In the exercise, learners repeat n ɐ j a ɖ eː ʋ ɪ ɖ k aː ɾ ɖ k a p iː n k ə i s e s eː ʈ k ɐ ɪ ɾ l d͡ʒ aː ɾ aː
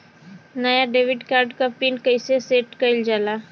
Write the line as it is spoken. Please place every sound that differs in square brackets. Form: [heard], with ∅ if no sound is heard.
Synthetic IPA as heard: n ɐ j a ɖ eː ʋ ɪ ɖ k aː ɾ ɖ k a p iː n k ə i s e s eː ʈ k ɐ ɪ [∅] l d͡ʒ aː [l] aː